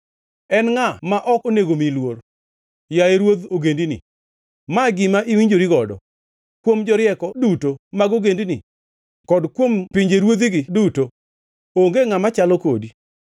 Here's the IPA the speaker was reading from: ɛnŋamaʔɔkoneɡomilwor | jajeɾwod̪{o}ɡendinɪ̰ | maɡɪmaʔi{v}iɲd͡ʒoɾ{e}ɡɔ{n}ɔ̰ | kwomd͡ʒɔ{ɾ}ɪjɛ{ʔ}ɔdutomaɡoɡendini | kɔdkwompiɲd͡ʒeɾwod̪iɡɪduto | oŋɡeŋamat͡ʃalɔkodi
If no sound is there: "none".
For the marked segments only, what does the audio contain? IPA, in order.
o, w, i, d, ɾ, k

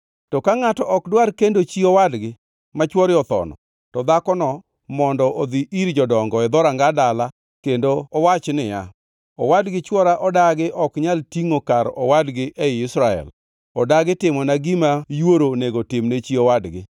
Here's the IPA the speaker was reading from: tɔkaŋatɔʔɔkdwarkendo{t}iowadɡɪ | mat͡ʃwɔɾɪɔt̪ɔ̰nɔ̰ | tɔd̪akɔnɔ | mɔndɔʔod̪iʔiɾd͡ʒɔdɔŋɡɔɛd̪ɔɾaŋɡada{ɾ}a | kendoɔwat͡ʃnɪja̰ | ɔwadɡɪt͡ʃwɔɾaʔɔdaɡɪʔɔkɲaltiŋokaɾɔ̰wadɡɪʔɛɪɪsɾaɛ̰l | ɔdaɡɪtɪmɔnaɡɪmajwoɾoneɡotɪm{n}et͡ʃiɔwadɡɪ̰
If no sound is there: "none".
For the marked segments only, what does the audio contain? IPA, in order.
t͡ʃ, l, n

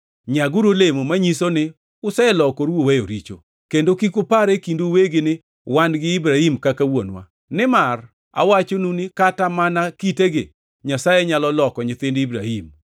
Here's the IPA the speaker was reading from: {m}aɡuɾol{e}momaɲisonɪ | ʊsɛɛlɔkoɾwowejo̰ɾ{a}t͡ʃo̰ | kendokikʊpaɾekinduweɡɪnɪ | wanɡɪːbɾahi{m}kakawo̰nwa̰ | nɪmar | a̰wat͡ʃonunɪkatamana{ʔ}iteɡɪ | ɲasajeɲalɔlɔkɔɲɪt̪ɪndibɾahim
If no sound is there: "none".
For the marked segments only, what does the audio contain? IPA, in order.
ɲ, e, i, m, k

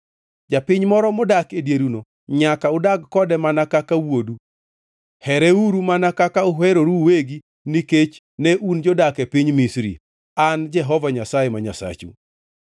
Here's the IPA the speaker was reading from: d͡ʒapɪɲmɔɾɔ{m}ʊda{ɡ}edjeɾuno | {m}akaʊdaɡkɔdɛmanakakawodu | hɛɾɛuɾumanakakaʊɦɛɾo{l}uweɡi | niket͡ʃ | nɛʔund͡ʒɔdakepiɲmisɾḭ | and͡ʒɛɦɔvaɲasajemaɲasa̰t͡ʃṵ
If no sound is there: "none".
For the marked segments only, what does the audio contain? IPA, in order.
m, k, ɲ, ɾ

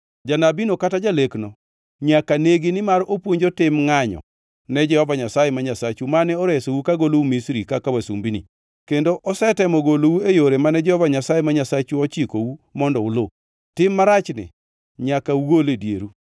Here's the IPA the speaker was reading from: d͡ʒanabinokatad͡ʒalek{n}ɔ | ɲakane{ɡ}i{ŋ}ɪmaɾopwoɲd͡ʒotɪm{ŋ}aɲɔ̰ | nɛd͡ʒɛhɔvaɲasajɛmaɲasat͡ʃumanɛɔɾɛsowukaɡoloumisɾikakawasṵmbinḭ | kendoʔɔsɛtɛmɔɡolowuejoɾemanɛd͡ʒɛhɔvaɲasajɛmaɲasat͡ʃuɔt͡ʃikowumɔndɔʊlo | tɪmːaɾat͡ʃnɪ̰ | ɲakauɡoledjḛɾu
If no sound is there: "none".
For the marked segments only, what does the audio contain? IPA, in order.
n, ɡ, n, ŋ

